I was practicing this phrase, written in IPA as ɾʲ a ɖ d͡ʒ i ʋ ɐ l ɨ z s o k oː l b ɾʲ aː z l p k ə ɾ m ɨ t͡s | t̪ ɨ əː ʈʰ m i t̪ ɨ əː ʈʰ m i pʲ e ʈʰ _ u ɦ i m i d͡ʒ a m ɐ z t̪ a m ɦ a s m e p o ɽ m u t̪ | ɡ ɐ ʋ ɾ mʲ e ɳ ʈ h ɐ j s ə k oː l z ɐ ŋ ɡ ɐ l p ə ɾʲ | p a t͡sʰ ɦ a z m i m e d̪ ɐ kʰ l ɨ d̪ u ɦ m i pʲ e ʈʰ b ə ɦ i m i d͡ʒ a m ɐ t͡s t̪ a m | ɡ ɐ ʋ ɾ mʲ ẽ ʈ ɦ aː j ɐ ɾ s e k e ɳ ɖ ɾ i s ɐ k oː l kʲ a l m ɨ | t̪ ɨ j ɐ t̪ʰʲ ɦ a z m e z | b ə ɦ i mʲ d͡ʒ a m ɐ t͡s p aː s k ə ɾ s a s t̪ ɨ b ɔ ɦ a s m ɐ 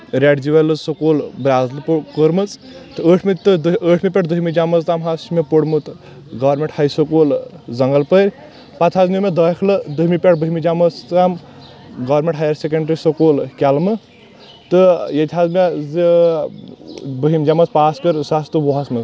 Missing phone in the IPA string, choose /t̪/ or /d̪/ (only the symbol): d̪